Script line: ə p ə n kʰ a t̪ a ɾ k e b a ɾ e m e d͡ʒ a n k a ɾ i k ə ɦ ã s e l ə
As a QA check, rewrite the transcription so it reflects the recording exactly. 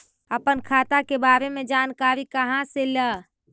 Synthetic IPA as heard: ə p ə n kʰ a t̪ a k e b a ɾ e m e d͡ʒ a n k a ɾ i k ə ɦ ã s e l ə